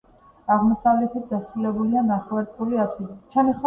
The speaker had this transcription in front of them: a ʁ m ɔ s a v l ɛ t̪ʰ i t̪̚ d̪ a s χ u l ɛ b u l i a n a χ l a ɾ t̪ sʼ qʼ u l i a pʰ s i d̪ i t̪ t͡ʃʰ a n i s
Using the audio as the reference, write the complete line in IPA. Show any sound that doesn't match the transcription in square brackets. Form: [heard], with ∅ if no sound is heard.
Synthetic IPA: a ʁ m ɔ s a v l ɛ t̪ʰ i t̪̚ d̪ a s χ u l ɛ b u l i a n a χ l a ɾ t̪ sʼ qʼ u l i a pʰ s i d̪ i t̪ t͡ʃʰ a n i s